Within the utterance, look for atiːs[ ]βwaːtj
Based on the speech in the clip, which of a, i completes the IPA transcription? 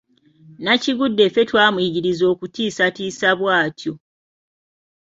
a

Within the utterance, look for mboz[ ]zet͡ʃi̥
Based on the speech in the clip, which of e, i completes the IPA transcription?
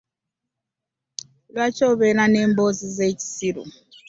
i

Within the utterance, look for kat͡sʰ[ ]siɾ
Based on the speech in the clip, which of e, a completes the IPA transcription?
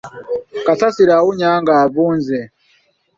a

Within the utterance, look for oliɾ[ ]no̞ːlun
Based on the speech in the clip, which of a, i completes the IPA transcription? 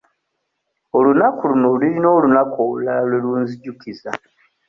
i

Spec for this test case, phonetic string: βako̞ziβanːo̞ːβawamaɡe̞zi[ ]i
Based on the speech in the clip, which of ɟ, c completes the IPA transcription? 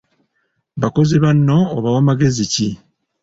c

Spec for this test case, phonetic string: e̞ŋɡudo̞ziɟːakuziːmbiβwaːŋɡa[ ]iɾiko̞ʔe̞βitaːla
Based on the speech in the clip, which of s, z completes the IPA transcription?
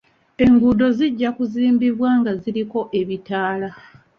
z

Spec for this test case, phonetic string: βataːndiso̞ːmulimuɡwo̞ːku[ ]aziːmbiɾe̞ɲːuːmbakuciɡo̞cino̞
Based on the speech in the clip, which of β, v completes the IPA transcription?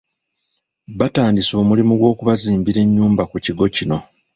β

